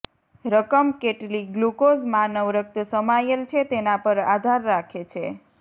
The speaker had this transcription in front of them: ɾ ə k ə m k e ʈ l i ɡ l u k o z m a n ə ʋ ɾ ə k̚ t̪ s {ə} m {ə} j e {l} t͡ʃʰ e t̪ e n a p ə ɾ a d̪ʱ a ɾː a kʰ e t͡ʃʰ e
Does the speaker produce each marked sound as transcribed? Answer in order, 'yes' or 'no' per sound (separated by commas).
yes, no, yes